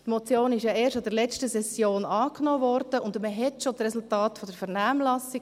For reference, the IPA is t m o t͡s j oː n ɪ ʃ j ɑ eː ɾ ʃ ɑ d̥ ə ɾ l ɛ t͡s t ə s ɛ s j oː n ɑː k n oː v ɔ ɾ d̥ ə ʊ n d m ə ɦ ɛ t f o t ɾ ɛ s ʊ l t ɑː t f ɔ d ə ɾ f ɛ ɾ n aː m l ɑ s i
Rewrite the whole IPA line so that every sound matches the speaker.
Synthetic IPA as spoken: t m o t͡s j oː n ɪ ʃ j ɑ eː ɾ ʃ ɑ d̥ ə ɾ l ɛ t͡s t ə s ɛ s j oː n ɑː k n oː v ɔ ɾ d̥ ə ʊ n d m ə ɦ ɛ t ʃ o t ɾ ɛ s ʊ l t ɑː t f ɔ d ə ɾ f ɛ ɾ n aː m l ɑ s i